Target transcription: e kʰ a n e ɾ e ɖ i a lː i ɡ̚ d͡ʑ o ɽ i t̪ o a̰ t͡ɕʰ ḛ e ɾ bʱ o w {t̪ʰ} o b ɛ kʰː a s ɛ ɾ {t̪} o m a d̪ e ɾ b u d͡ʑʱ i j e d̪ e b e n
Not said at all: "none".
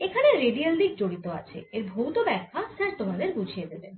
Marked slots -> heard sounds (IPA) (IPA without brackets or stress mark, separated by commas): t̪, t̪